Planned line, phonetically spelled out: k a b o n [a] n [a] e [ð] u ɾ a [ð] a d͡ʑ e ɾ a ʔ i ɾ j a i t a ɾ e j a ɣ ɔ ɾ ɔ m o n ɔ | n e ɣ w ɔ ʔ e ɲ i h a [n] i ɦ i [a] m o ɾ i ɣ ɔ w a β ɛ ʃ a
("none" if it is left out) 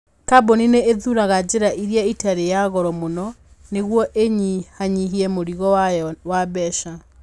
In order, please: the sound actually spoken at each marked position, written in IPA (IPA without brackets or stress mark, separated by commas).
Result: i, e, ð, ɣ, ɲ, ɛ